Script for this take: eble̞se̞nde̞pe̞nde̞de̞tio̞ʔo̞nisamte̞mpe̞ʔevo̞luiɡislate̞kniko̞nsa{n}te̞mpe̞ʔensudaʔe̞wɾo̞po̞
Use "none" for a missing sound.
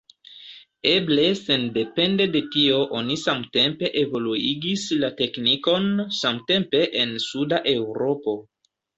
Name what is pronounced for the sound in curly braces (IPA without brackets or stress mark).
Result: m